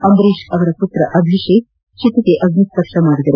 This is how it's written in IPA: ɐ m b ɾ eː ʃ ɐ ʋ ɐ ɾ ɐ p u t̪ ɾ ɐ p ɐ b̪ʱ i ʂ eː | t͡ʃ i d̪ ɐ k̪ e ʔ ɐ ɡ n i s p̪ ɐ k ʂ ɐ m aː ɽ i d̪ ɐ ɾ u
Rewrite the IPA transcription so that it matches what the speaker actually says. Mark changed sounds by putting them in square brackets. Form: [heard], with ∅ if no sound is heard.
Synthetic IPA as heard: ɐ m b ɾ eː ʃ ɐ ʋ ɐ ɾ ɐ p u t̪ ɾ ɐ [ʔ] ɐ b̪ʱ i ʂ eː | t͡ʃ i [t̪] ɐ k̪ e ʔ ɐ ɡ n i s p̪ ɐ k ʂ ɐ m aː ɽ i d̪ ɐ ɾ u